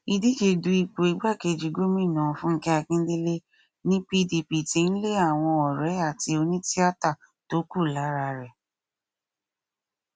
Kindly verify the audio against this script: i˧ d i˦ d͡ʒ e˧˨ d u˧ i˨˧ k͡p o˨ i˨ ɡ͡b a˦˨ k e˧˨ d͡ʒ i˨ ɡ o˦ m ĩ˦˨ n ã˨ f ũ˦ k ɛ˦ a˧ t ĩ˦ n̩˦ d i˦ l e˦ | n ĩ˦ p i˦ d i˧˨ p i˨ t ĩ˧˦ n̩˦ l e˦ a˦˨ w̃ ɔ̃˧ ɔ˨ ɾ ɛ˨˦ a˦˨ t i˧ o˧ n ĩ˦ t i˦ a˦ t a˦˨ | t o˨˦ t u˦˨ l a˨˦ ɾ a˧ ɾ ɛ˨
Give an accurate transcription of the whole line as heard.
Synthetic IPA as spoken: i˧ d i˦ d͡ʒ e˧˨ d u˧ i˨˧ k͡p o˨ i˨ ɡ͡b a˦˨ k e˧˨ d͡ʒ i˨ ɡ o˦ m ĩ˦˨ n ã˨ f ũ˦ k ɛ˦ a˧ k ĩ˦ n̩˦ d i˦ l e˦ | n ĩ˦ p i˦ d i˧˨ p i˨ t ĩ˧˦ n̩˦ l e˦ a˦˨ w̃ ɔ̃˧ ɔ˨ ɾ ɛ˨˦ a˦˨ t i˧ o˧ n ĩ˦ t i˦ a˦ t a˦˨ | t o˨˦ k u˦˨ l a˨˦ ɾ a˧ ɾ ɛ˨